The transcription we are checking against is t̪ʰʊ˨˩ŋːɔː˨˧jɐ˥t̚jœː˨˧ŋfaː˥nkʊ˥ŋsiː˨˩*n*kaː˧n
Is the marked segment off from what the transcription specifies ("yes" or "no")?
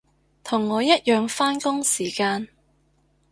yes